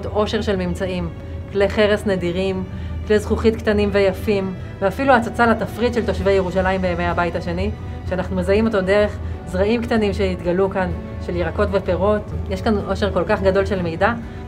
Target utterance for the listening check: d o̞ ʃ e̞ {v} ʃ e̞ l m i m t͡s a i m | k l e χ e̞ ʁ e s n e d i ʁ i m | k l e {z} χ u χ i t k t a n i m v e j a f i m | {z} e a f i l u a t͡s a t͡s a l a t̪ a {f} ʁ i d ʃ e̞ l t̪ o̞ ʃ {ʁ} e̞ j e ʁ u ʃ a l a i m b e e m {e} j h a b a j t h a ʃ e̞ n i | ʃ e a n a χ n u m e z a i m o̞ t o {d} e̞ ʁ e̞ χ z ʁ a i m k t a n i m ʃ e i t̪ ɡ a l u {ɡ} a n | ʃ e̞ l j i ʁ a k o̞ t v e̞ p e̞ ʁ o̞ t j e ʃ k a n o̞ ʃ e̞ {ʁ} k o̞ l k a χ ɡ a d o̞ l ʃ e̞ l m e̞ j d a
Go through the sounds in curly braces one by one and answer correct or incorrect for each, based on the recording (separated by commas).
incorrect, correct, incorrect, correct, incorrect, correct, correct, incorrect, correct